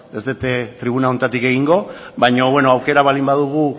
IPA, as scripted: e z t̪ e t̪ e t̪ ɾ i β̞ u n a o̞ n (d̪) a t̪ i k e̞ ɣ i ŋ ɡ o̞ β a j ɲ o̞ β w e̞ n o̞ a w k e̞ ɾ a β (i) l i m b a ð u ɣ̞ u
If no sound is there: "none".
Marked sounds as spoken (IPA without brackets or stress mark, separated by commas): t̪, a